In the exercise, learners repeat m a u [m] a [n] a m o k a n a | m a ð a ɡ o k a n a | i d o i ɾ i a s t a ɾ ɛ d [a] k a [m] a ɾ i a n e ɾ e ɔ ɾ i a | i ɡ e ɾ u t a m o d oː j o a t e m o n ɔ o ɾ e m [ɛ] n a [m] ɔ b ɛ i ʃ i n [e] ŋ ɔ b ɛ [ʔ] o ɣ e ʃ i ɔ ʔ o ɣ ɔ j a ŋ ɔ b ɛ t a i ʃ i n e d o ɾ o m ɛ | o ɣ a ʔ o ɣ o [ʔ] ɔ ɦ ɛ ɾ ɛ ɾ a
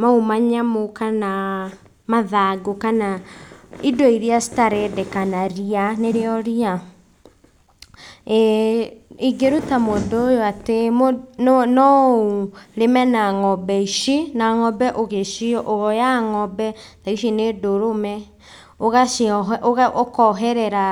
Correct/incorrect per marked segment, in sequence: correct, incorrect: ɲ, incorrect: ɛ, incorrect: n, correct, incorrect: ŋ, incorrect: a, correct, incorrect: k

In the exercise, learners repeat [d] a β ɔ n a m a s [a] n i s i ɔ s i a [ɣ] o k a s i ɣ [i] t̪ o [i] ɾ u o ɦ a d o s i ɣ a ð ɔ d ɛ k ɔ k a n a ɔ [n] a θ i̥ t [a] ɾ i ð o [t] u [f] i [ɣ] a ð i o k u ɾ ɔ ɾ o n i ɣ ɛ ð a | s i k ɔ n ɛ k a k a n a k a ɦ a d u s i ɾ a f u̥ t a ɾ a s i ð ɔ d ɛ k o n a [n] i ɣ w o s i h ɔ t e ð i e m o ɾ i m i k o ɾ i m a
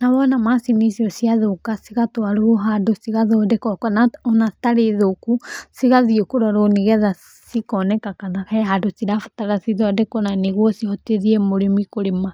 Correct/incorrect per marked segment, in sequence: incorrect: n, incorrect: i, incorrect: ð, incorrect: a, incorrect: a, correct, correct, incorrect: k, incorrect: s, correct, correct

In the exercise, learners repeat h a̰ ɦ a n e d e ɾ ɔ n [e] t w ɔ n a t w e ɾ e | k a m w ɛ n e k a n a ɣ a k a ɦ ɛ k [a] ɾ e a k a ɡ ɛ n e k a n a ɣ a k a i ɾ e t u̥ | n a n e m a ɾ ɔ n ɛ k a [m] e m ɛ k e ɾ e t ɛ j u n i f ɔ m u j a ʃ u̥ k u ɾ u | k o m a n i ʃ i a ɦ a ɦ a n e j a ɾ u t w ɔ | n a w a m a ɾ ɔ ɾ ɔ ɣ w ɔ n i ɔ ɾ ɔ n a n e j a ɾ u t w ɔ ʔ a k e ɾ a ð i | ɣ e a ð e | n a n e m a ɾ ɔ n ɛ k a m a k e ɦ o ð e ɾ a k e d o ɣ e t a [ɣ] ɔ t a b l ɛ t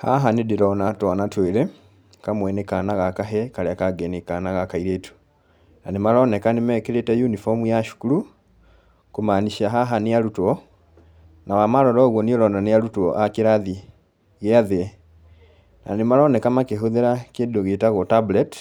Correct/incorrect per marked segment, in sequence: incorrect: a, correct, incorrect: n, correct

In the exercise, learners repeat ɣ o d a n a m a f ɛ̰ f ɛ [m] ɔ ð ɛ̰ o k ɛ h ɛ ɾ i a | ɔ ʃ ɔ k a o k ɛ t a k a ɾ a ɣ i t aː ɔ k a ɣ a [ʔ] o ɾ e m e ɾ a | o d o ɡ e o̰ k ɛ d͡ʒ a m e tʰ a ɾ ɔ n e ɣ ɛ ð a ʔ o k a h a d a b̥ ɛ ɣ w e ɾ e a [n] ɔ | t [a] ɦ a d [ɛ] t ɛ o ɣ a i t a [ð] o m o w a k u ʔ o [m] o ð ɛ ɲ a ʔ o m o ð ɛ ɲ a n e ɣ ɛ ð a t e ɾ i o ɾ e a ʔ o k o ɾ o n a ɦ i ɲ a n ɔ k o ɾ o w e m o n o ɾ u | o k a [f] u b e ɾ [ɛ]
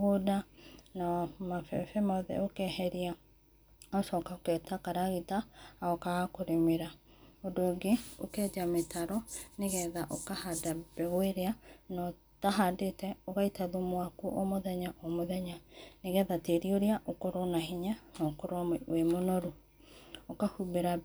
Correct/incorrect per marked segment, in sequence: correct, incorrect: k, correct, correct, incorrect: e, correct, correct, incorrect: h, incorrect: a

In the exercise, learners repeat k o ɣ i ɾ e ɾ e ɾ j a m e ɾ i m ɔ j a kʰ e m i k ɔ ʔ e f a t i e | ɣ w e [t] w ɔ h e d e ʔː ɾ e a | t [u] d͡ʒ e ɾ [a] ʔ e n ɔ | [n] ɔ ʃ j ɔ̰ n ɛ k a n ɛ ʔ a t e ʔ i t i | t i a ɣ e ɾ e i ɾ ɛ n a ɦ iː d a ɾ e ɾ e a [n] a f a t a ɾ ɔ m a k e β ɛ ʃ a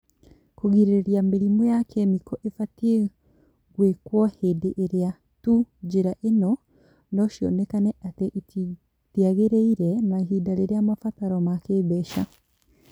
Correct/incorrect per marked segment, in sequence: incorrect: k, correct, correct, correct, incorrect: m

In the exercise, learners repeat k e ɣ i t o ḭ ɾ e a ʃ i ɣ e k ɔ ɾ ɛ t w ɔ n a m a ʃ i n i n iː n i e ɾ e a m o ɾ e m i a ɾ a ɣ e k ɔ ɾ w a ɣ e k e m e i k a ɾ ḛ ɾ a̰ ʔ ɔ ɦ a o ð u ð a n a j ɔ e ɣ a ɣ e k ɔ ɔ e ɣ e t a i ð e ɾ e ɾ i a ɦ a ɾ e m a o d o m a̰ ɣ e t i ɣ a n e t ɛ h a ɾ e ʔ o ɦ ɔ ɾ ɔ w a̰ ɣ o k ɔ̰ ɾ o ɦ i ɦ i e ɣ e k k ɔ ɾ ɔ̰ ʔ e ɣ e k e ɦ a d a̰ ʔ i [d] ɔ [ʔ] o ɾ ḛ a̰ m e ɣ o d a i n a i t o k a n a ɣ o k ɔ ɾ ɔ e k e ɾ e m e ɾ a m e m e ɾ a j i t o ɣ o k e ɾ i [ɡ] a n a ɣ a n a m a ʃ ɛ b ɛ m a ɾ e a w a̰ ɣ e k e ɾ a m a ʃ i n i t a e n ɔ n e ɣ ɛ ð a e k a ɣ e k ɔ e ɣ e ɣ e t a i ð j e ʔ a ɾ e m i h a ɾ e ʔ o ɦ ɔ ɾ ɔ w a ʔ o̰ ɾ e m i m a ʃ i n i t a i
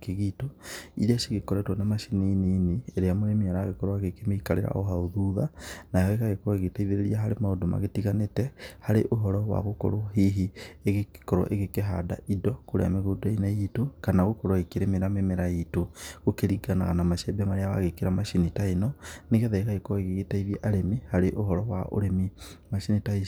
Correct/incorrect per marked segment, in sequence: correct, incorrect: k, correct

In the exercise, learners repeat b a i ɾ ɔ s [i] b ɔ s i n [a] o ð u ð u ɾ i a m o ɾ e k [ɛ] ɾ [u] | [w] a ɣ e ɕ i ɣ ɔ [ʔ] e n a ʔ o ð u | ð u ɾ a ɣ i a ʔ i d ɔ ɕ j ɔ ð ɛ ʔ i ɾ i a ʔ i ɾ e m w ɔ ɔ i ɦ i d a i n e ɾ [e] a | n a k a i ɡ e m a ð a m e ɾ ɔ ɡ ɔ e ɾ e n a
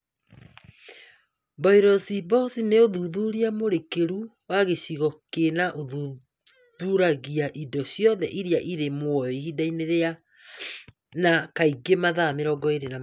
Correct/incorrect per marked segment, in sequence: correct, incorrect: e, incorrect: e, correct, correct, incorrect: k, correct

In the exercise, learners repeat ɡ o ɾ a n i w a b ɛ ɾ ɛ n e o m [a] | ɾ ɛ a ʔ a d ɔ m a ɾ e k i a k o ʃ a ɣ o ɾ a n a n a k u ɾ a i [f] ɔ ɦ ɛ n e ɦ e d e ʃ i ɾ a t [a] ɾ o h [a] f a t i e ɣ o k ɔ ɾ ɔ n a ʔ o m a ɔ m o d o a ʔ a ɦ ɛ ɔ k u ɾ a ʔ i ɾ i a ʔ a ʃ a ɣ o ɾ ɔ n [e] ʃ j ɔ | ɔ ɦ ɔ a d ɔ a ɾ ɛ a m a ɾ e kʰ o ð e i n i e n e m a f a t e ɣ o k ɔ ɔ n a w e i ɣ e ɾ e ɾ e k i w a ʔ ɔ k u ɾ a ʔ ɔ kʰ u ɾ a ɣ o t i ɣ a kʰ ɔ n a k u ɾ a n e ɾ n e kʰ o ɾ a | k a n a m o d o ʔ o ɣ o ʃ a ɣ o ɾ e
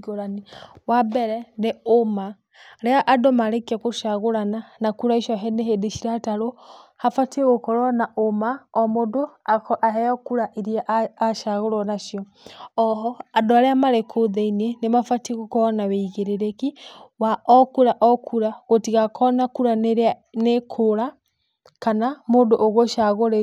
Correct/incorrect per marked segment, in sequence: correct, incorrect: ʃ, correct, correct, incorrect: a

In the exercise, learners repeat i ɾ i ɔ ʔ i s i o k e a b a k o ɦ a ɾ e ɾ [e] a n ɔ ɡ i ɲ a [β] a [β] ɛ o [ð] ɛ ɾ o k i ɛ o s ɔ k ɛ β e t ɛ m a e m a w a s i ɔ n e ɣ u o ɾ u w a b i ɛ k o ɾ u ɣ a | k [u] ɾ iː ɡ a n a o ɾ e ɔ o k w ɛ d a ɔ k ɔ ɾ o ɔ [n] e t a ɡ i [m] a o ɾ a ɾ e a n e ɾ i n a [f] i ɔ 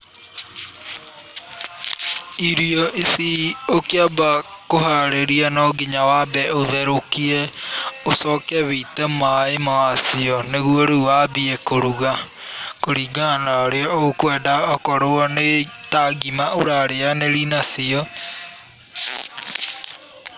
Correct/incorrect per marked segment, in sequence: incorrect: i, incorrect: w, incorrect: b, correct, incorrect: o, correct, correct, incorrect: s

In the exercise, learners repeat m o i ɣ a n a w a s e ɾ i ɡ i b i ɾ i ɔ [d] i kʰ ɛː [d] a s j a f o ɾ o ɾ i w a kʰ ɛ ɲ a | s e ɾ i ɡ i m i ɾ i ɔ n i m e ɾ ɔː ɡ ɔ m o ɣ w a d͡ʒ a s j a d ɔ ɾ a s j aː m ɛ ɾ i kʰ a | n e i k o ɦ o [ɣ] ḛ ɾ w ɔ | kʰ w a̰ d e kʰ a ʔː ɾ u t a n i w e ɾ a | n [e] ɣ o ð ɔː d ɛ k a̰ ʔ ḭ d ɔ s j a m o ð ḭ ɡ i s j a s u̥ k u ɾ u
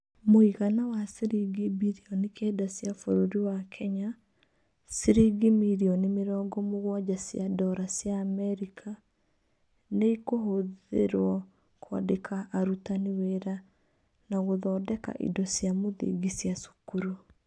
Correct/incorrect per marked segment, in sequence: incorrect: n, correct, incorrect: ð, incorrect: a

